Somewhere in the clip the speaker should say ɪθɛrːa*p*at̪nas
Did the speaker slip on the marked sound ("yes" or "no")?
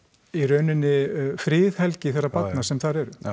no